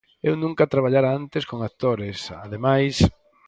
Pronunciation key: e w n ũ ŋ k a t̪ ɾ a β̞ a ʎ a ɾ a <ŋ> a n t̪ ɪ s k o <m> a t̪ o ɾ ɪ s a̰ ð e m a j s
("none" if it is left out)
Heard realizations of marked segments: none, ŋ

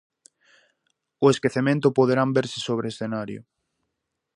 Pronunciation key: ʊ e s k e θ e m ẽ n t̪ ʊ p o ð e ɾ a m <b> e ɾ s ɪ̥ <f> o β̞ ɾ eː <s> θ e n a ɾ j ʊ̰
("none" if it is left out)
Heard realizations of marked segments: b, s, s

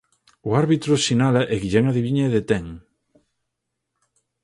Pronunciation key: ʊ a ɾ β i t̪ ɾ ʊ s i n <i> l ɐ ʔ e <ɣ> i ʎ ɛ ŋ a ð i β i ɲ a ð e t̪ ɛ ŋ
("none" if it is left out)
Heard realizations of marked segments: a, ɣ

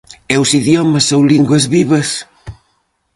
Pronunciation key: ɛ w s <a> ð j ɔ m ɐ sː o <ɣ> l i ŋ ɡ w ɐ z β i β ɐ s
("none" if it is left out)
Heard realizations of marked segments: i, w

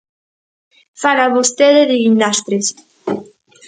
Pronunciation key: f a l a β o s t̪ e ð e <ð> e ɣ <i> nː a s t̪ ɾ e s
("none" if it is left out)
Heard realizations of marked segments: ð, i

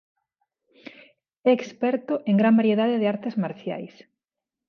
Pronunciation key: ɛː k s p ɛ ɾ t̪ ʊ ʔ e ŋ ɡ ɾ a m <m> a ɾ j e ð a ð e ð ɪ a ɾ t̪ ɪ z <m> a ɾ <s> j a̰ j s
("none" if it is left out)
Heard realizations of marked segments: b, m, θ

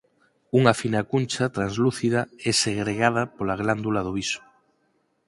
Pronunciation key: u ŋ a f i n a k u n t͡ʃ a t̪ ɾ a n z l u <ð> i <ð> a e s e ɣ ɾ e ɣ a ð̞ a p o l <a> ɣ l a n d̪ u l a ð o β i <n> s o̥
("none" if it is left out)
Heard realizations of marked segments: θ, ð, a, none

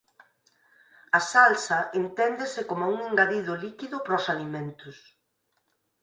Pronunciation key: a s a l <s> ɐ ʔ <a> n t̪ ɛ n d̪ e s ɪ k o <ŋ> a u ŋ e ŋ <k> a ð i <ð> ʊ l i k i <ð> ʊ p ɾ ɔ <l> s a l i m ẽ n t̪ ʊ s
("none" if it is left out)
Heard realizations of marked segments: s, e, m, ɡ, ð, ð, none

